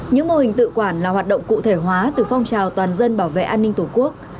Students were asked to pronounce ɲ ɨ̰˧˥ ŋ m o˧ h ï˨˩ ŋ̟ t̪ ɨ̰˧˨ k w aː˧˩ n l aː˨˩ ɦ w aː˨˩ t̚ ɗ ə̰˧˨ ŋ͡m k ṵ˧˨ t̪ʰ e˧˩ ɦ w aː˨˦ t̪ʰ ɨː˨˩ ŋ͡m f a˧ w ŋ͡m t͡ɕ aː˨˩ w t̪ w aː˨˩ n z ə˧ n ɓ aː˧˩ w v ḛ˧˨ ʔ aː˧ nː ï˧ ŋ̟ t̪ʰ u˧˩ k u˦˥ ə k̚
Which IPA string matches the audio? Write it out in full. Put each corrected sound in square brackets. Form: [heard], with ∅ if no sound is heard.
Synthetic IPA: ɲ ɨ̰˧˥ ŋ m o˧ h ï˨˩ ŋ̟ t̪ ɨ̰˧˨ k w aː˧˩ n l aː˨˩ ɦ w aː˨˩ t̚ ɗ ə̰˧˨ ŋ͡m k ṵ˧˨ t̪ʰ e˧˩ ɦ w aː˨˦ [t̪] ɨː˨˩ [∅] f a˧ w ŋ͡m t͡ɕ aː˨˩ w t̪ w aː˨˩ n z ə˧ n ɓ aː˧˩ w v ḛ˧˨ ʔ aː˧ nː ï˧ ŋ̟ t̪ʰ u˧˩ k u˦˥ ə k̚